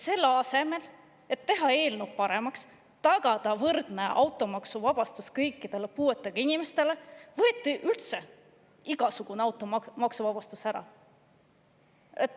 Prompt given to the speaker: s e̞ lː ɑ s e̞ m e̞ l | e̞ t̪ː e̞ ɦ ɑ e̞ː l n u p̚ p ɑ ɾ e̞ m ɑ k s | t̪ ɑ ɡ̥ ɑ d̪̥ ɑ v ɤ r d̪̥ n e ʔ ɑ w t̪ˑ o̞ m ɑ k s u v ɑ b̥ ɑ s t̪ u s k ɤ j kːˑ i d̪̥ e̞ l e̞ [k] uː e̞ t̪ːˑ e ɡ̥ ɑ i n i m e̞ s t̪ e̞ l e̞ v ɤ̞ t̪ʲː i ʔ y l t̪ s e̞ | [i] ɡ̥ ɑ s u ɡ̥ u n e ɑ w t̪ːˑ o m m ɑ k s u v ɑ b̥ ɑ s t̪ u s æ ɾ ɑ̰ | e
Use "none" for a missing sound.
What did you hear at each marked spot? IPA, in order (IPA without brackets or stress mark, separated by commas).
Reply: p, i